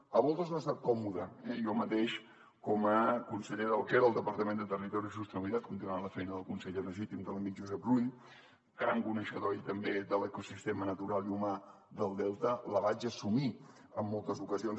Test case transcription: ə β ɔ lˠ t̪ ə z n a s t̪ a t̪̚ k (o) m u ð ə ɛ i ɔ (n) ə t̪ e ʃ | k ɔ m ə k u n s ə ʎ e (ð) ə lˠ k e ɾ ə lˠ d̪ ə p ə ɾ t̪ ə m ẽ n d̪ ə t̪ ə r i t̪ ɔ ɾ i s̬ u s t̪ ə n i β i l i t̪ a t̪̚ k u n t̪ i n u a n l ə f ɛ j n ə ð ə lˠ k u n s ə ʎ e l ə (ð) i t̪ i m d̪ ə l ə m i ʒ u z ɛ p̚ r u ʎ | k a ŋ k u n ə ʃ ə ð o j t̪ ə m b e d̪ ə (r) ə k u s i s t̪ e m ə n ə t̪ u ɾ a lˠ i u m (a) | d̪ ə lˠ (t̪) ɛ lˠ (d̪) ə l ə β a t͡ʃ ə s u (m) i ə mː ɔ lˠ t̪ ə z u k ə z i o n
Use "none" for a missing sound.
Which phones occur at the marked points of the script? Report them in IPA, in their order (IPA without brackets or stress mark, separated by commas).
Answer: ɔ, m, ð, ʒ, l, a, d̪, t̪, m